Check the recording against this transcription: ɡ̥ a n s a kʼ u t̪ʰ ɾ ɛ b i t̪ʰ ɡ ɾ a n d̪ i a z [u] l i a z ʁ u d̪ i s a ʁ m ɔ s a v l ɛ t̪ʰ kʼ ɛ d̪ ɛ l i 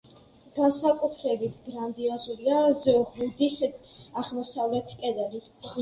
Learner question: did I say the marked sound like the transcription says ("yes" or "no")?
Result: yes